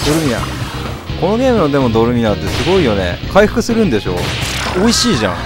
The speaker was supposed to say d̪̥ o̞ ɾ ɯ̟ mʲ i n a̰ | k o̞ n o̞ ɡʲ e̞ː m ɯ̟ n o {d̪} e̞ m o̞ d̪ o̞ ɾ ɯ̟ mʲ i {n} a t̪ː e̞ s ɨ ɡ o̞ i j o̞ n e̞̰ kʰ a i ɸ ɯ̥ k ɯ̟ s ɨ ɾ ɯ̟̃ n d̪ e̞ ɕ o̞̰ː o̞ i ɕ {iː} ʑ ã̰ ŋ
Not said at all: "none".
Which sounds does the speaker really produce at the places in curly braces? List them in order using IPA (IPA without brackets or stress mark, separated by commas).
d̪, n, iː